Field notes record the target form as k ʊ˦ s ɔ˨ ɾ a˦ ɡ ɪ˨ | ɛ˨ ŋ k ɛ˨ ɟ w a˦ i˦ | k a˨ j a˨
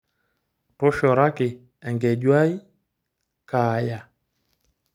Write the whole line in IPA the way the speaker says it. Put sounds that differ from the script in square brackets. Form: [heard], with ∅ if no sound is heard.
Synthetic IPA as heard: [t] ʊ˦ [ʃ] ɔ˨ ɾ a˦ [k] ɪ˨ | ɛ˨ ŋ [ɡ] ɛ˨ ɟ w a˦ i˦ | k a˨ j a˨